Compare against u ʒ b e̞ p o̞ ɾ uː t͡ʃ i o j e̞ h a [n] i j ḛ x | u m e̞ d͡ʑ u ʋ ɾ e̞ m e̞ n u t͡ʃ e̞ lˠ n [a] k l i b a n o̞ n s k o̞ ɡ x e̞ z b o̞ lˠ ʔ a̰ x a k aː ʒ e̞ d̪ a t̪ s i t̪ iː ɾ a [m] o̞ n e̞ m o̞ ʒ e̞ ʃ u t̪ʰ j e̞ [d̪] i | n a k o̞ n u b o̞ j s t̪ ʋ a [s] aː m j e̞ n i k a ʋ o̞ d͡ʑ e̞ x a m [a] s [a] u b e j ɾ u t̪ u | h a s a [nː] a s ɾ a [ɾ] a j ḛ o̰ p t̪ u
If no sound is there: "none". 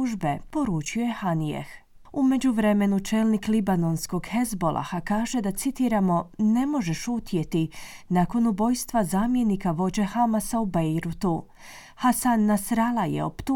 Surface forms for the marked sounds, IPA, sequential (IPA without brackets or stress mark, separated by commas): n, i, m, t̪, z, a, a, nː, l